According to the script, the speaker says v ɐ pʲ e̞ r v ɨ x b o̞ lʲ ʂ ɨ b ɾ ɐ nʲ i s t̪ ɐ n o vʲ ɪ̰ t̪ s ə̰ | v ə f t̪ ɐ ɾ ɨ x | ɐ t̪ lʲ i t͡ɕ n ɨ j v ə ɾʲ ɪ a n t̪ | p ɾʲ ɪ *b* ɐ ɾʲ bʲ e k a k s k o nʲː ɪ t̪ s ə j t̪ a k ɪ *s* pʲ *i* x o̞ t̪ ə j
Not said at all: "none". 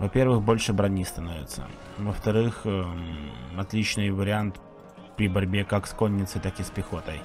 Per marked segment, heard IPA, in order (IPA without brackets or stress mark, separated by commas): b, s, ɪ